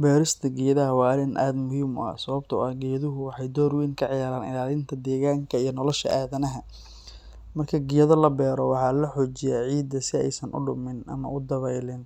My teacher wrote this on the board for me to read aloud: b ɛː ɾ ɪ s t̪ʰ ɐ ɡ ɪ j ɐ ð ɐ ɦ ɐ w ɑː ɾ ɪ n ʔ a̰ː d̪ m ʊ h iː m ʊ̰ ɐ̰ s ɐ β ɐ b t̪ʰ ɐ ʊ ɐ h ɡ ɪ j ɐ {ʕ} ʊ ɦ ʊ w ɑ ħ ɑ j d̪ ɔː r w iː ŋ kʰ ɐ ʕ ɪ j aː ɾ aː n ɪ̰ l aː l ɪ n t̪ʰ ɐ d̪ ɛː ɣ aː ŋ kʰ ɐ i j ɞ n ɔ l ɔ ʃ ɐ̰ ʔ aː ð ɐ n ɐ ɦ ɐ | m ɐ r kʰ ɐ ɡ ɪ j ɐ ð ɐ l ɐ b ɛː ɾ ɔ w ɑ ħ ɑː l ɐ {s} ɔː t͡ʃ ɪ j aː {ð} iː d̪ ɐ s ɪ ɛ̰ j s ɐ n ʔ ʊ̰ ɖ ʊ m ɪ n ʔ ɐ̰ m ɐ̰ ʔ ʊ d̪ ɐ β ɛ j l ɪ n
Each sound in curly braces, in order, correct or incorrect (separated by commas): incorrect, incorrect, incorrect